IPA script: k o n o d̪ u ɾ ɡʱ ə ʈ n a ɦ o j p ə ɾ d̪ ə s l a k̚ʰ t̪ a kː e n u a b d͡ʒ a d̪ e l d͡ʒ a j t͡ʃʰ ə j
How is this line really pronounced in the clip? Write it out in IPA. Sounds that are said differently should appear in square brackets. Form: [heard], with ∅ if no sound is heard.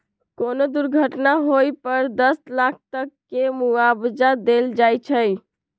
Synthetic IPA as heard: k o n o d̪ u ɾ ɡʱ ə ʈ n a ɦ o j p ə ɾ d̪ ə s l a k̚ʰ t̪ [ə] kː e [m] u a b d͡ʒ a d̪ e l d͡ʒ a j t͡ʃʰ ə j